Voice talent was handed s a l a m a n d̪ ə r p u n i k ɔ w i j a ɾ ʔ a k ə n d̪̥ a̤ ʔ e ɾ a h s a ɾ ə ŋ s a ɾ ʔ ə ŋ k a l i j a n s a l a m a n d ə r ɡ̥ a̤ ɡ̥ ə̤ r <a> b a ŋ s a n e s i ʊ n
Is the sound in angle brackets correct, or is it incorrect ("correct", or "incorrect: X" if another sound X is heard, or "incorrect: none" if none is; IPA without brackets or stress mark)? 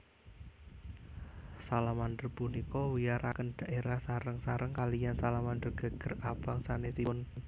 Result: correct